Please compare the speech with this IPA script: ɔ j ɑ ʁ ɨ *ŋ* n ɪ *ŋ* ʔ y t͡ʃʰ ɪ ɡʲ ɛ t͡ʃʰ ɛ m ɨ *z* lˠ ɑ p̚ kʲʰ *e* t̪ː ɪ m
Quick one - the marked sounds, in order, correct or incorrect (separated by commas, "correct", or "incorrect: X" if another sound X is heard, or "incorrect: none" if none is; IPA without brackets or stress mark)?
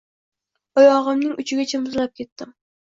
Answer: incorrect: m, correct, correct, correct